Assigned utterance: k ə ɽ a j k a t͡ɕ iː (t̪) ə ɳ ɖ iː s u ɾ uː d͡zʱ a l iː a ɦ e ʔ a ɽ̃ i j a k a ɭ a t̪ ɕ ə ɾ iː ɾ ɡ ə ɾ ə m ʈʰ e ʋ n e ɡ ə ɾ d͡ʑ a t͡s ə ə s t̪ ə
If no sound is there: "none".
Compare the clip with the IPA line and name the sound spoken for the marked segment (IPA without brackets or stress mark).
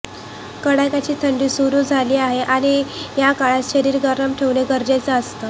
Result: t̪ʰ